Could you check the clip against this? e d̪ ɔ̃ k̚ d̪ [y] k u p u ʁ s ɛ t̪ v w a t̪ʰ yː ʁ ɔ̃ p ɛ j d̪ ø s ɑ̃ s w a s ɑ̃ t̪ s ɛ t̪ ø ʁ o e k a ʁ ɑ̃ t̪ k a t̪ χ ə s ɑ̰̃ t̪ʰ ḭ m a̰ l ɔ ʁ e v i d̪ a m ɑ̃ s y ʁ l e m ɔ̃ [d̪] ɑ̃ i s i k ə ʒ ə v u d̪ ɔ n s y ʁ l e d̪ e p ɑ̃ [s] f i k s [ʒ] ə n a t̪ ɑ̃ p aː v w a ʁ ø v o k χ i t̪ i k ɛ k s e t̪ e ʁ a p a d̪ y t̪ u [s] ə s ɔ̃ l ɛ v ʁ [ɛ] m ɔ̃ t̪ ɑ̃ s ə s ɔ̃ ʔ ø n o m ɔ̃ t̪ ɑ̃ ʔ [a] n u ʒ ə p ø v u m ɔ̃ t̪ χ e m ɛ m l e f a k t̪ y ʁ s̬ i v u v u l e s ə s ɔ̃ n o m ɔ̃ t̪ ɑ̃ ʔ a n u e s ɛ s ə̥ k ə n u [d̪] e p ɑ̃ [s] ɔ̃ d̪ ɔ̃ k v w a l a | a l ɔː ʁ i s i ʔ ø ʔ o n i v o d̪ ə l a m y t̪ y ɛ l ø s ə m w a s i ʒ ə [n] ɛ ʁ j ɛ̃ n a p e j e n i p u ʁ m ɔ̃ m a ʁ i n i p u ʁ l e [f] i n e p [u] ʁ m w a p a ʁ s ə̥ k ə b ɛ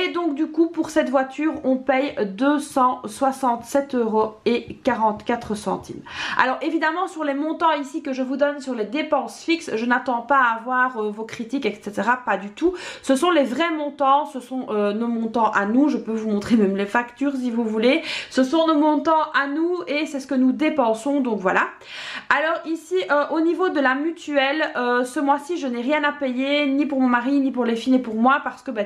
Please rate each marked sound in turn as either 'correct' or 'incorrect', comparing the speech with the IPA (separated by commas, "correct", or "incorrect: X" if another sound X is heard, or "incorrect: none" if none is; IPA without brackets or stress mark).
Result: correct, incorrect: t̪, correct, correct, correct, correct, correct, correct, correct, correct, correct, correct